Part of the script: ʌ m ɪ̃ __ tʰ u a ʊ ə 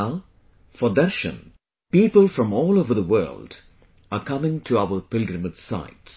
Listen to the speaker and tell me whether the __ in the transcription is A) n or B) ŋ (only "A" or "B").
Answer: B